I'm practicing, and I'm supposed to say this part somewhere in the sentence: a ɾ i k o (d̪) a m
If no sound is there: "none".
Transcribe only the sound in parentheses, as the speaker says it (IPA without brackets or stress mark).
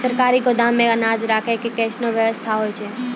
d̪